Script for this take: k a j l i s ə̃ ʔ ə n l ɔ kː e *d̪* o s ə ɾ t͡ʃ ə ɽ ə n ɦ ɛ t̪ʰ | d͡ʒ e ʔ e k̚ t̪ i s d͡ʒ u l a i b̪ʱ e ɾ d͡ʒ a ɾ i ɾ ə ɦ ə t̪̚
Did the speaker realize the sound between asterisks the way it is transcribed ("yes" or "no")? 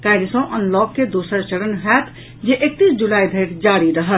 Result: yes